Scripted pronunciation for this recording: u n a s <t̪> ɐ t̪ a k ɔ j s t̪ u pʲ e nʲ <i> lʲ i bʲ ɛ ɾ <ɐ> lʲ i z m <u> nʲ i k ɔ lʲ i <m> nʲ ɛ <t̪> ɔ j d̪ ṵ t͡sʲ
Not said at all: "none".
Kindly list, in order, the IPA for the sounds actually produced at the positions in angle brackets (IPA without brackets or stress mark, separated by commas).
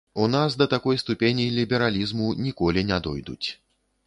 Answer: d̪, i, a, u, none, d̪